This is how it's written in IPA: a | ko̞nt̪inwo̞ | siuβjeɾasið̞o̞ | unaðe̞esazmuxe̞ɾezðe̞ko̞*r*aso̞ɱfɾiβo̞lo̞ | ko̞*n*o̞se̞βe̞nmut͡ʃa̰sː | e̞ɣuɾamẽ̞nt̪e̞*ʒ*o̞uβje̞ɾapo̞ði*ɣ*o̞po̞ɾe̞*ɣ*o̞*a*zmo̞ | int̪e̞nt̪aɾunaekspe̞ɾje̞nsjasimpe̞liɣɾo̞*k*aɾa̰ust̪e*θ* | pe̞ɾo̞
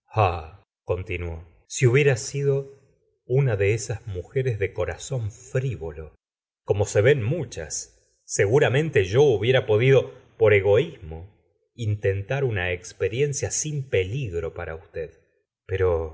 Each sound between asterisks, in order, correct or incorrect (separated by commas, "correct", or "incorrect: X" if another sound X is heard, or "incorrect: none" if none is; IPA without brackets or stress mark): incorrect: ɾ, incorrect: m, correct, incorrect: ð, correct, incorrect: i, incorrect: p, incorrect: ð